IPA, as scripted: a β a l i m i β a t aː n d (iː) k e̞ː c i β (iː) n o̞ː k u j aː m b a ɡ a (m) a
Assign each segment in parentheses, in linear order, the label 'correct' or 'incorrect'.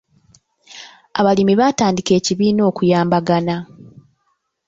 incorrect: i, correct, incorrect: n

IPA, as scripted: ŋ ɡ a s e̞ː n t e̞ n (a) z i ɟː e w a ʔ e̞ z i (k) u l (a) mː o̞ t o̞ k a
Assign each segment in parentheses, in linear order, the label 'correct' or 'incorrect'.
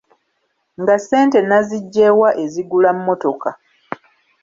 correct, incorrect: ɡ, correct

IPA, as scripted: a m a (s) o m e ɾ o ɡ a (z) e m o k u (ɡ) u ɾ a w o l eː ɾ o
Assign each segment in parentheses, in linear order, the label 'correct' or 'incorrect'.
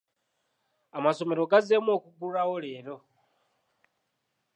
correct, correct, correct

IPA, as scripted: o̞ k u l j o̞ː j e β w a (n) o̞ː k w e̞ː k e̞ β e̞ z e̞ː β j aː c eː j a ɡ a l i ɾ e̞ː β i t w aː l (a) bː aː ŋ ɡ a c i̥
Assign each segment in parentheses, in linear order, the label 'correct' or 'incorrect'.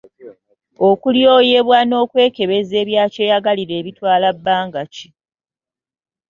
correct, correct

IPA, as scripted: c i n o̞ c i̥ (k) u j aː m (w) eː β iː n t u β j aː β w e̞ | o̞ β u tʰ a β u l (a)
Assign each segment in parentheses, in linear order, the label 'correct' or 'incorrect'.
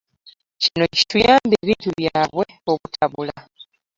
incorrect: t, incorrect: b, correct

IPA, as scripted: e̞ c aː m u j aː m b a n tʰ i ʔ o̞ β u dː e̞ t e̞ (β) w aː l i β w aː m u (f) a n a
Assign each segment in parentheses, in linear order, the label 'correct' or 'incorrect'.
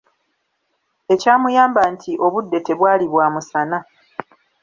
correct, incorrect: s

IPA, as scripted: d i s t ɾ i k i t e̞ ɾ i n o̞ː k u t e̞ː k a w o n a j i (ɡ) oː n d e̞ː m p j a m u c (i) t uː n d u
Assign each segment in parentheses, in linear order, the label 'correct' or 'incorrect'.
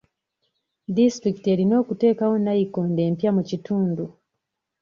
incorrect: k, correct

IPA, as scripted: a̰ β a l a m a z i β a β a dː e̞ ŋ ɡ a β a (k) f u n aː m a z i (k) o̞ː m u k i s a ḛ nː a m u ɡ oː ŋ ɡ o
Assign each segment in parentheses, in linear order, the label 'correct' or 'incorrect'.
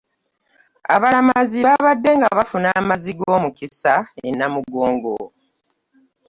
incorrect: none, incorrect: ɡ

